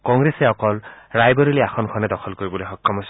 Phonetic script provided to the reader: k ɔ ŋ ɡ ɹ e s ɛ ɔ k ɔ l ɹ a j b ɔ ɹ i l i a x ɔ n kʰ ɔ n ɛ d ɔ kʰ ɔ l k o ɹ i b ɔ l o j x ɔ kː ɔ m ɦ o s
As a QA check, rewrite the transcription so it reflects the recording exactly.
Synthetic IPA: k ɔ ŋ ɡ ɹ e s ɛ ɔ k ɔ l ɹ a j b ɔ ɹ i l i a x ɔ n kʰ ɔ n ɛ d ɔ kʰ ɔ l k o ɹ i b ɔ l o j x ɔ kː ɔ m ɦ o s